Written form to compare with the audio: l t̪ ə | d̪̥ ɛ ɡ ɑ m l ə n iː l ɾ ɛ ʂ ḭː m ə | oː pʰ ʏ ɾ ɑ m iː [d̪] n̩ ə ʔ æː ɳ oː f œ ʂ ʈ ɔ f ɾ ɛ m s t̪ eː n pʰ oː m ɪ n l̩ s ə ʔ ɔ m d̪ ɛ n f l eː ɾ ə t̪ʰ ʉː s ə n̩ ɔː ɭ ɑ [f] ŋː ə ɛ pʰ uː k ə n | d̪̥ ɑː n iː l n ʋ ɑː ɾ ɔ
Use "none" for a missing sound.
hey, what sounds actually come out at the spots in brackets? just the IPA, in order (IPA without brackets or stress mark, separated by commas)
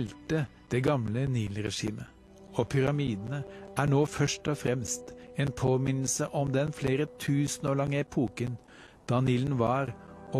d̪, none